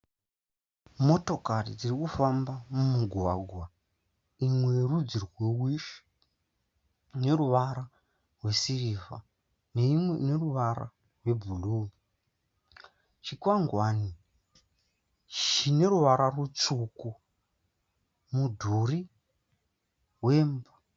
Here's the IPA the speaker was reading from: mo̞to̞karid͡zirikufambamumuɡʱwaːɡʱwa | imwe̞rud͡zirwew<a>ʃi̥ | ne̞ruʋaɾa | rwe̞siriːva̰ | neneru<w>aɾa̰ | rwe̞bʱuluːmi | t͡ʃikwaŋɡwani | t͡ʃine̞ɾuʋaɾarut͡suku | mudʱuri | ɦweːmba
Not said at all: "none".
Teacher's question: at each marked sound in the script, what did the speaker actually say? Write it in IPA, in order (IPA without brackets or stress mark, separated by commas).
i, ʋ